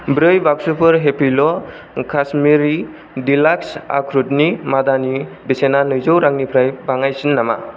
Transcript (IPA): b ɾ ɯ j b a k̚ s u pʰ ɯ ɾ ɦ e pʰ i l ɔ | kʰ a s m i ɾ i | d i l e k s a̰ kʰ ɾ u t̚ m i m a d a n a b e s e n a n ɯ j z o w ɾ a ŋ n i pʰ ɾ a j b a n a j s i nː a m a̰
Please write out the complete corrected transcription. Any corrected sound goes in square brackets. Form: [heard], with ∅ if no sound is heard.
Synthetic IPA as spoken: b ɾ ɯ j b a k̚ s u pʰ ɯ ɾ ɦ e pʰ i l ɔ | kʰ a s m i ɾ i | d i l [a] k s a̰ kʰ ɾ u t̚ [n] i m a d a n [i] b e s e n a n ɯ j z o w ɾ a ŋ n i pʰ ɾ a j b a [ŋ] a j s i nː a m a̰